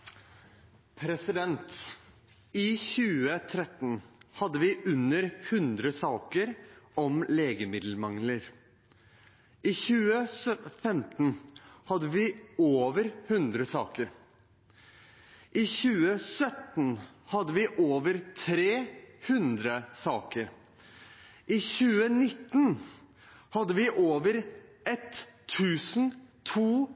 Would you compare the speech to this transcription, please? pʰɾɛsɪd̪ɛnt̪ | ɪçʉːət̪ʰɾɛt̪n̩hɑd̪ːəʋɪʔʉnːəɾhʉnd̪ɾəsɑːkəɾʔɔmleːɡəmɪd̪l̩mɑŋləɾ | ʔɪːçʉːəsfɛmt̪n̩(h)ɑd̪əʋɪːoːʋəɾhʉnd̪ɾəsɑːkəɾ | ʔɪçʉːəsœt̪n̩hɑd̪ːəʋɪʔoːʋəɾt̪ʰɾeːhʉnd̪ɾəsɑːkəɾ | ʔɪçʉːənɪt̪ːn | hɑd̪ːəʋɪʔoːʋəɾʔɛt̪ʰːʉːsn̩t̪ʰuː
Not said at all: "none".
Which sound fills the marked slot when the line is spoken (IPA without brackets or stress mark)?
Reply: h